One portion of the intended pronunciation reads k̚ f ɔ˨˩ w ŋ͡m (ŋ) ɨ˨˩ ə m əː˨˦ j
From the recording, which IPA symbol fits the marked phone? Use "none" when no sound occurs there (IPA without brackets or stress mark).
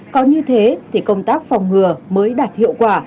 ŋ